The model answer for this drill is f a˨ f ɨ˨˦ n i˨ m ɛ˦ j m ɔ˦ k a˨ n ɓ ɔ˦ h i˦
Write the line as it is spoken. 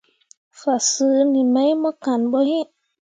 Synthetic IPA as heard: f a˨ s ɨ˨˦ n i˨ m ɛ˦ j m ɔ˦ k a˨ n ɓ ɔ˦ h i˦